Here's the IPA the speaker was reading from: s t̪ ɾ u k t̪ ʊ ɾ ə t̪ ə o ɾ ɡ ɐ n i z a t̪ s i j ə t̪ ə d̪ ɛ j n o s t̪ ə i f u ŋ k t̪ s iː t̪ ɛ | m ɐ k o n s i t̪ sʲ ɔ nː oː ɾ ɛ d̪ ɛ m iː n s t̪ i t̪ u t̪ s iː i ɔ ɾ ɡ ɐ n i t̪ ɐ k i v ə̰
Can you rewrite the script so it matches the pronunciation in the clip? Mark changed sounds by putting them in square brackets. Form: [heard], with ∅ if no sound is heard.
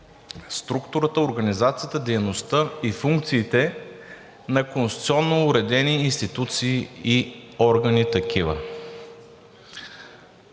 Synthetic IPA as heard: s t̪ ɾ u k t̪ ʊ ɾ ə t̪ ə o ɾ ɡ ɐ n i z a t̪ s i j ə t̪ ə d̪ ɛ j n o s t̪ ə i f u ŋ k t̪ s iː t̪ ɛ | [n] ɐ k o n s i t̪ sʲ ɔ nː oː ɾ ɛ d̪ ɛ [n] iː n s t̪ i t̪ u t̪ s iː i ɔ ɾ ɡ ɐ n i t̪ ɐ k i v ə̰